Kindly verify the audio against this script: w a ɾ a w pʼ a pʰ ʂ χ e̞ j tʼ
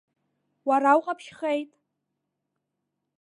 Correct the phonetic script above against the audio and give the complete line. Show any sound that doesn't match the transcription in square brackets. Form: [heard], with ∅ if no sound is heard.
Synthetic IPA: w a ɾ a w [qʼ] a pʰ [ʃ] χ e̞ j tʼ